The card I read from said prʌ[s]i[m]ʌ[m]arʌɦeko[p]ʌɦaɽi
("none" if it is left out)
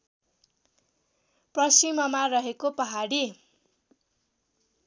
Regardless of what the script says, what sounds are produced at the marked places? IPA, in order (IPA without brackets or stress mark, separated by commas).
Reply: s, m, m, p